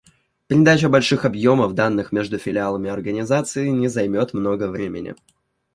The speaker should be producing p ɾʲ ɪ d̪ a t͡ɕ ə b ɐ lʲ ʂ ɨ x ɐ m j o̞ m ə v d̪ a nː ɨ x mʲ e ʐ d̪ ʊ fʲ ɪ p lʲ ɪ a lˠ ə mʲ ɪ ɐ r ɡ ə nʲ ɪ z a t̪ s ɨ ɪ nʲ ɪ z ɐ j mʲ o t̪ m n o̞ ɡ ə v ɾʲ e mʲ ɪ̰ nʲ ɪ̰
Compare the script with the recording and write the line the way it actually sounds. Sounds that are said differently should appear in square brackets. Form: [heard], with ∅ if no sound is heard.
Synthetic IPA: p ɾʲ ɪ d̪ a t͡ɕ ə b ɐ lʲ ʂ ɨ x ɐ [b] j o̞ m ə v d̪ a nː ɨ x mʲ e ʐ d̪ ʊ fʲ ɪ [∅] lʲ ɪ a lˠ ə mʲ ɪ ɐ r ɡ ə nʲ ɪ z a t̪ s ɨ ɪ nʲ ɪ z ɐ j mʲ o t̪ m n o̞ ɡ ə v ɾʲ e mʲ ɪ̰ nʲ ɪ̰